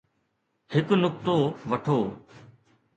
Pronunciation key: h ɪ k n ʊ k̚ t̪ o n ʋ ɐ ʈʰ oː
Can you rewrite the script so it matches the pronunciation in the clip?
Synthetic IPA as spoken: h ɪ k n ʊ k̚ t̪ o ʋ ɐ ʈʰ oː